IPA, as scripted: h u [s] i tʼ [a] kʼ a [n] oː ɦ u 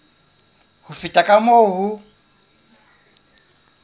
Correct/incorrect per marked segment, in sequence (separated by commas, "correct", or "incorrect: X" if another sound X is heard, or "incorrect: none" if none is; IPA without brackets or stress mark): incorrect: f, correct, incorrect: m